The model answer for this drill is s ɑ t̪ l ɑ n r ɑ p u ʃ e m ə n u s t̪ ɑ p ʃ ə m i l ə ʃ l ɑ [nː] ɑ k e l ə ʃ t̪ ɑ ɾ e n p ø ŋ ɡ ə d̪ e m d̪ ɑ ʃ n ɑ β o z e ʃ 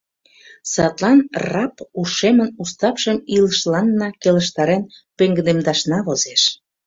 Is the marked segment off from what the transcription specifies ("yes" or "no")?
no